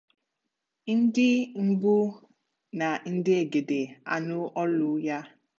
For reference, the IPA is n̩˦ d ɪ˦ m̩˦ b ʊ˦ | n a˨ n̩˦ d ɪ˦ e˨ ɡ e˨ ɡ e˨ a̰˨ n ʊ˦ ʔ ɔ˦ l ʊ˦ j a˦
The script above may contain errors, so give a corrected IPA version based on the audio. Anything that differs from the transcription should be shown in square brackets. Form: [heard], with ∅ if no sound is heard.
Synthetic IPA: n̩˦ d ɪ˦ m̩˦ b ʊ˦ | n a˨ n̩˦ d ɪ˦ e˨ ɡ e˨ [d] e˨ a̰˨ n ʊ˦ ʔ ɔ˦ l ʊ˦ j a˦

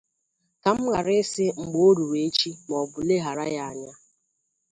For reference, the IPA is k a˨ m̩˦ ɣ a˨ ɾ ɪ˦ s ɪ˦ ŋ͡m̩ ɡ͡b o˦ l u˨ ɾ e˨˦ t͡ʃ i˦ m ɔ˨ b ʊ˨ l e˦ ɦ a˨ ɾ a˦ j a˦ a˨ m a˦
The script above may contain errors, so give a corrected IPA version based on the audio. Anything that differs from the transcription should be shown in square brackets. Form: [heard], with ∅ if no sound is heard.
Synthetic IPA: k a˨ m̩˦ ɣ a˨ ɾ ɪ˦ s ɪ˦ ŋ͡m̩ ɡ͡b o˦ [ɾ] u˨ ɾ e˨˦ t͡ʃ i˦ m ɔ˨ b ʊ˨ l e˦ ɦ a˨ ɾ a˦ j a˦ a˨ [ɲ] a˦

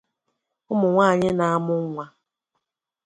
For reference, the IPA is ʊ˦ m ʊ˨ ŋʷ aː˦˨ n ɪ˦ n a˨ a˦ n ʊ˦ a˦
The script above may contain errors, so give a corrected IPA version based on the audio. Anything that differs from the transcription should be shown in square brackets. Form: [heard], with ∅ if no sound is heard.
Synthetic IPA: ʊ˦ m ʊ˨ ŋʷ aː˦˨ [ɲ] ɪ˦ n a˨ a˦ [m] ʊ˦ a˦

